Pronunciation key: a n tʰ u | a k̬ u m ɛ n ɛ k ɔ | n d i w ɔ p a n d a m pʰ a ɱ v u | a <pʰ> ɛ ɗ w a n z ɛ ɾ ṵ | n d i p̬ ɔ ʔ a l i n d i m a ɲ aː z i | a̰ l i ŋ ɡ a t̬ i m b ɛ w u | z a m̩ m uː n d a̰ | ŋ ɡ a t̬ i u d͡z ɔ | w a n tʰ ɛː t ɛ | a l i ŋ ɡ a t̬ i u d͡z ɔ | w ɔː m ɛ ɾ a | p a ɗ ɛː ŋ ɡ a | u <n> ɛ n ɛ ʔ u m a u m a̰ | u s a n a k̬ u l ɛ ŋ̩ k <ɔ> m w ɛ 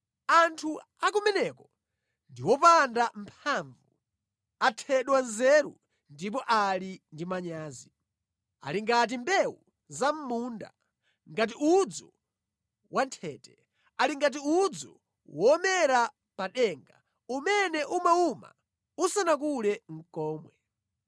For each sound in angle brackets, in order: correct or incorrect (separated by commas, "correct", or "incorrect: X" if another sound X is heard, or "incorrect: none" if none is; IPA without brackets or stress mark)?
incorrect: tʰ, incorrect: m, incorrect: ɔː